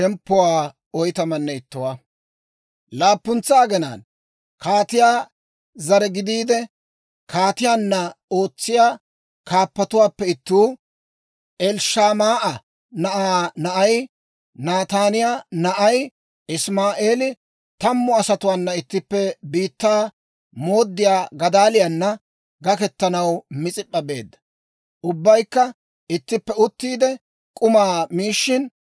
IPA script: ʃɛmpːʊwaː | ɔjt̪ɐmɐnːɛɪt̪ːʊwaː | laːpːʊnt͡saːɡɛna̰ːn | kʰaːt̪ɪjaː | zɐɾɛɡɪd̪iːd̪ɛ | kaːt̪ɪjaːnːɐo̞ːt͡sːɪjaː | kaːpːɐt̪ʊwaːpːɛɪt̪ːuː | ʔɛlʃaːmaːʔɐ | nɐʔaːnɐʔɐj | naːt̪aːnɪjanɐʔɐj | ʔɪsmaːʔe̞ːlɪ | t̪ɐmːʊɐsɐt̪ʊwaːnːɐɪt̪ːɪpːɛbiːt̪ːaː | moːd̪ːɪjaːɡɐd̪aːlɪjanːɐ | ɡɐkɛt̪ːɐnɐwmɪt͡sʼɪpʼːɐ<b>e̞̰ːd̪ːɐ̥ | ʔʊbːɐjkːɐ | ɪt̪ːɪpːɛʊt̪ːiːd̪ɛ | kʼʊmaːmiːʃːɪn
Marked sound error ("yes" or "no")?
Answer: no